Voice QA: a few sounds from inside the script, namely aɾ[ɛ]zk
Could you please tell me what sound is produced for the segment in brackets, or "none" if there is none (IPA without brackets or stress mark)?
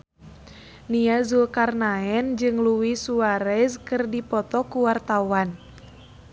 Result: ɛ